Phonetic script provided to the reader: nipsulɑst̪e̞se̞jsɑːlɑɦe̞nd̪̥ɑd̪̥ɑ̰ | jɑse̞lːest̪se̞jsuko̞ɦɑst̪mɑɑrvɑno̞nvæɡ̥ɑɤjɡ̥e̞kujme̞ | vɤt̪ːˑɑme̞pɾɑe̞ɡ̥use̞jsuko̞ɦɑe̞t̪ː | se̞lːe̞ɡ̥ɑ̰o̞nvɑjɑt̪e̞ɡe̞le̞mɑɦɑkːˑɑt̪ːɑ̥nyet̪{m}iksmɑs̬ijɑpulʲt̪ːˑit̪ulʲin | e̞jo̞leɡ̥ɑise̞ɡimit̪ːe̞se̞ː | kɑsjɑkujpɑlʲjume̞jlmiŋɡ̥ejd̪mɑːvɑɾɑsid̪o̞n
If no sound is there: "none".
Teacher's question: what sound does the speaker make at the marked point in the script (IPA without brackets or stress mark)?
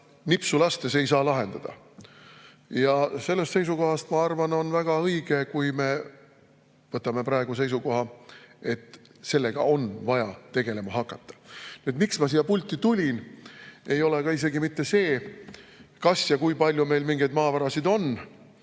m